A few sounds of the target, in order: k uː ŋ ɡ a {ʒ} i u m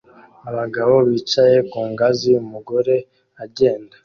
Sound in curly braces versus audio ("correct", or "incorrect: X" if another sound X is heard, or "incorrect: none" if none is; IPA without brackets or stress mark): incorrect: z